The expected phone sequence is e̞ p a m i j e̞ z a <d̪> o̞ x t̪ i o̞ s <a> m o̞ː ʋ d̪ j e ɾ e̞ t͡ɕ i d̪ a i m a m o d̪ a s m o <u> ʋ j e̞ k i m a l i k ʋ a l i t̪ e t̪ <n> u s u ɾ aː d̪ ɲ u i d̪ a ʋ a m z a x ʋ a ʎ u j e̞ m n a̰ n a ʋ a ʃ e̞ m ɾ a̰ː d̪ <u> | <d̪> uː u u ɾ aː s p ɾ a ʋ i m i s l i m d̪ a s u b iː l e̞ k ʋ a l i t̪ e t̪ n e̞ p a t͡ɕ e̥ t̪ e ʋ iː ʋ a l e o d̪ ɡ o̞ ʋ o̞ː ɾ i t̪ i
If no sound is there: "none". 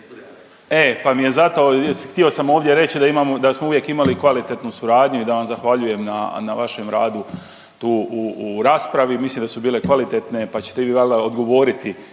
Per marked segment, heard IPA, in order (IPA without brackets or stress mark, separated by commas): t̪, a, u, n, u, t̪